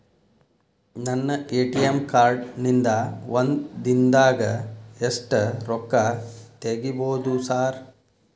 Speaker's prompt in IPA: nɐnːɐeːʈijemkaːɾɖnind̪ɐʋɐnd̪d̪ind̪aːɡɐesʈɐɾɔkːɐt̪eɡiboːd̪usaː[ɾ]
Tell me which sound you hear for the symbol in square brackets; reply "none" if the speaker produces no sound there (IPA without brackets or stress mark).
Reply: ɾ